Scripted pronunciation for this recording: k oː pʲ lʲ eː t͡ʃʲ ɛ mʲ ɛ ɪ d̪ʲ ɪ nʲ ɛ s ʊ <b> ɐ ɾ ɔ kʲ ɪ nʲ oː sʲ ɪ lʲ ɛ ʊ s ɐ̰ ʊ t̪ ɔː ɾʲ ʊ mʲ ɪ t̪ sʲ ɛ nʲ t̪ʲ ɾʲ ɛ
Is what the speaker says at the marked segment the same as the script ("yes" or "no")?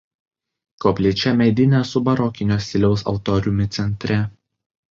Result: yes